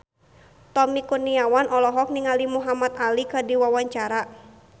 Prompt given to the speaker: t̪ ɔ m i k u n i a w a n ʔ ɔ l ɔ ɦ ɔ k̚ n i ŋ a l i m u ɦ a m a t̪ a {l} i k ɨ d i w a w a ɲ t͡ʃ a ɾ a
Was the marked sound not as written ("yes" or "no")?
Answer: no